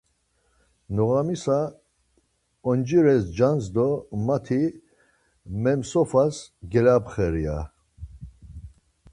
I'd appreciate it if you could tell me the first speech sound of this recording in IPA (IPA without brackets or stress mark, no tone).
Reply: n